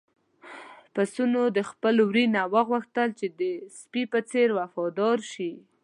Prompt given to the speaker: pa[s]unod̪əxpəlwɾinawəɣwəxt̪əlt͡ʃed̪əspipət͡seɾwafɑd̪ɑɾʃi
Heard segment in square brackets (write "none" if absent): s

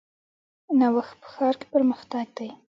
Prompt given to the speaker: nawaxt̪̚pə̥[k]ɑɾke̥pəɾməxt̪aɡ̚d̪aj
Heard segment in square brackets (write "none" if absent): x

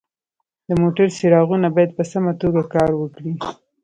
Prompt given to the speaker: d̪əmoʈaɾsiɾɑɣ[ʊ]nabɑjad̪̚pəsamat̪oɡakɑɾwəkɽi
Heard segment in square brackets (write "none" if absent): u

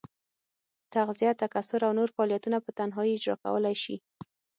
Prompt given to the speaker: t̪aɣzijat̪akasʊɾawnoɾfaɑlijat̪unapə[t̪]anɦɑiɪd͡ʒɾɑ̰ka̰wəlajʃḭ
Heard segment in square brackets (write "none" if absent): t̪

